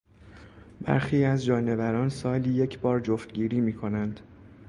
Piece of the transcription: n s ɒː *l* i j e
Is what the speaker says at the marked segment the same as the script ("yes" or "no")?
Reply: yes